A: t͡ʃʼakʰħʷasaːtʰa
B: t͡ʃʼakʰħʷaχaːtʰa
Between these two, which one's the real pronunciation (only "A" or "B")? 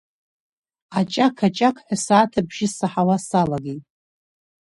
A